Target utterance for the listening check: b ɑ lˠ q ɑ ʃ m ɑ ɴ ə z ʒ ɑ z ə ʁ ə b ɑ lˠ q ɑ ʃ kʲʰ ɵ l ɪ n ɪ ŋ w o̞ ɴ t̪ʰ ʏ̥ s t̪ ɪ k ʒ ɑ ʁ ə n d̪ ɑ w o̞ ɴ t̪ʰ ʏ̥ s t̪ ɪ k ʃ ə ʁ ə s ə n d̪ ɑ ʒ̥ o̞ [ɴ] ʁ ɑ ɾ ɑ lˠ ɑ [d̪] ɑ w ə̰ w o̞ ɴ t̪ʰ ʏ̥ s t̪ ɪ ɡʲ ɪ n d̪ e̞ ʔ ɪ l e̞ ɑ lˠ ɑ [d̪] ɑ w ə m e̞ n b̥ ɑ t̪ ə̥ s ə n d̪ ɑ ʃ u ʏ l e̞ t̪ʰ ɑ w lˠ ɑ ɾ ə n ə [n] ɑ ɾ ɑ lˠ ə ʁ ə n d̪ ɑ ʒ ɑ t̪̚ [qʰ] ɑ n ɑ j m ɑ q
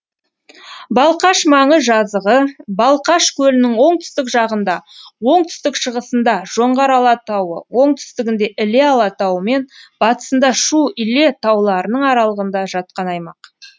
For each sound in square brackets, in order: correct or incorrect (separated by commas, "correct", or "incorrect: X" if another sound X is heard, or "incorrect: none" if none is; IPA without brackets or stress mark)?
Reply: correct, incorrect: t̪, incorrect: t̪, incorrect: ɴ, incorrect: q